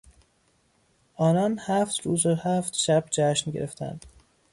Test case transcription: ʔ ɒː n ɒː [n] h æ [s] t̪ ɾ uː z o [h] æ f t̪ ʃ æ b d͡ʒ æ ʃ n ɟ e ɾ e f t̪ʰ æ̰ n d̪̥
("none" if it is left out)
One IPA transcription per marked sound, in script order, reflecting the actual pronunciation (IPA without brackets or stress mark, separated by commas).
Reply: n, f, h